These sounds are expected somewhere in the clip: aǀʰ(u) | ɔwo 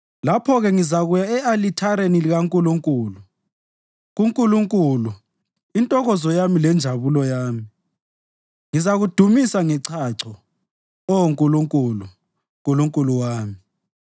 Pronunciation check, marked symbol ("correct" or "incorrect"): incorrect